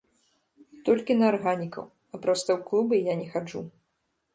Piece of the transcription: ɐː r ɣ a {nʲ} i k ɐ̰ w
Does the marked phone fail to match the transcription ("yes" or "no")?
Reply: no